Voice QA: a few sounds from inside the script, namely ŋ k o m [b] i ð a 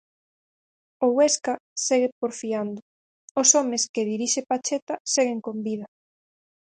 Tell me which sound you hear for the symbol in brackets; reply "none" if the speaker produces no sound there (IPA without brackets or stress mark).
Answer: b